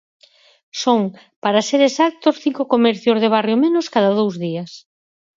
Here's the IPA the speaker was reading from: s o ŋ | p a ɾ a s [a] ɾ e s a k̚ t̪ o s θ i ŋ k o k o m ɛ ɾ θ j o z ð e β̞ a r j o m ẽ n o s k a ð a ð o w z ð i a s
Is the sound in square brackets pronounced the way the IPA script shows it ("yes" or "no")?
no